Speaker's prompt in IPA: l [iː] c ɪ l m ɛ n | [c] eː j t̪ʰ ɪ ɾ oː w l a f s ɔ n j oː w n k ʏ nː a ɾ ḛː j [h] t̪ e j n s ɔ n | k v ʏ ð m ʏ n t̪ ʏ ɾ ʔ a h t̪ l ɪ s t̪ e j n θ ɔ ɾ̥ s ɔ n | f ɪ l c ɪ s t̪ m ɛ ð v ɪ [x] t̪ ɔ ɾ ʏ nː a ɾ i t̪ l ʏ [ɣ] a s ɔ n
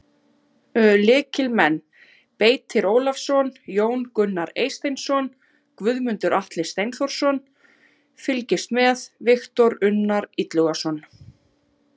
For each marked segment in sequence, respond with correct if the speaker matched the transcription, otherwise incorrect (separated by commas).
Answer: incorrect, incorrect, incorrect, correct, correct